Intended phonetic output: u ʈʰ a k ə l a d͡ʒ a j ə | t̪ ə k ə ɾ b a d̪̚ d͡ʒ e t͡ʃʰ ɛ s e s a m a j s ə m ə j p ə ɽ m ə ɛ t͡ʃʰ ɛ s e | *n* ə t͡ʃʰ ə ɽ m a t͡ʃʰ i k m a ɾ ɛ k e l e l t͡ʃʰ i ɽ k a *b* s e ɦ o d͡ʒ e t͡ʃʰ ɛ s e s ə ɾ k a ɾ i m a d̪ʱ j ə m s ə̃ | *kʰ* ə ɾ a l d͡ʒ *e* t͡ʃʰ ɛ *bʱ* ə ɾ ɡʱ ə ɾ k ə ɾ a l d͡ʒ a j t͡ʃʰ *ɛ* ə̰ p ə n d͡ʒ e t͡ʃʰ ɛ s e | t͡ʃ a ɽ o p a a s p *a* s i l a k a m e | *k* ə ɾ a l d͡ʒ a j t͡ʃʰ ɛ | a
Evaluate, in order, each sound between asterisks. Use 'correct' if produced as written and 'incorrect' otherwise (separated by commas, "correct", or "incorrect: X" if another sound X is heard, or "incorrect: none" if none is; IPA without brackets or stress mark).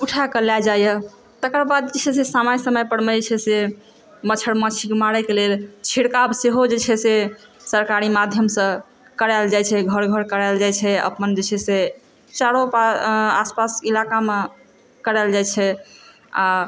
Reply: incorrect: m, correct, incorrect: k, incorrect: a, incorrect: ɡʱ, correct, correct, correct